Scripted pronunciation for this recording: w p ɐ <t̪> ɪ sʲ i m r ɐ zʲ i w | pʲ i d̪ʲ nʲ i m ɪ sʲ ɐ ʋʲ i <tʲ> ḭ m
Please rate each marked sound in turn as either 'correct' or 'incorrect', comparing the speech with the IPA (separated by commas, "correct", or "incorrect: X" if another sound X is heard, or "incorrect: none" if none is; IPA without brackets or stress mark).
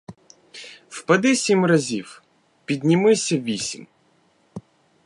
incorrect: d̪, incorrect: sʲ